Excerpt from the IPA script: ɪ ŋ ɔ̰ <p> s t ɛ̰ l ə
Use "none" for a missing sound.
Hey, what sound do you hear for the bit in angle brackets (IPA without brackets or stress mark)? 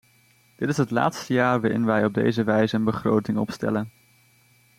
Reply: p